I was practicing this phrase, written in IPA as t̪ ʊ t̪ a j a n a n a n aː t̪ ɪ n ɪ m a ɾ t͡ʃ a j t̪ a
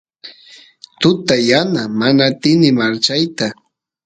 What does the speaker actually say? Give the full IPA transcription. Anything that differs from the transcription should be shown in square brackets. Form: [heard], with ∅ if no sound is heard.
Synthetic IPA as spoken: t̪ ʊ t̪ a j a n a [m] a n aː t̪ ɪ n ɪ m a ɾ t͡ʃ a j t̪ a